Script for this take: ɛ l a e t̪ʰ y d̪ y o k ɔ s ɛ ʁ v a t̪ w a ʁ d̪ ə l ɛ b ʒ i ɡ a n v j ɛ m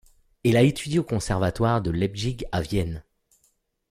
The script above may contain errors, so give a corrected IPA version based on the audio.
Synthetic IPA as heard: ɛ l a e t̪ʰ y d̪ i o k ɔ̃ s ɛ ʁ v a t̪ w a ʁ d̪ ə l ɛ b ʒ i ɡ a v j ɛ n